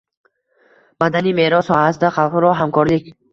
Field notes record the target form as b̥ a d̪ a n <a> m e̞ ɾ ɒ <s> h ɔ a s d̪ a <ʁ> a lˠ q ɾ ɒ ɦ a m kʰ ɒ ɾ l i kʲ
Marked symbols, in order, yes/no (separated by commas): no, yes, no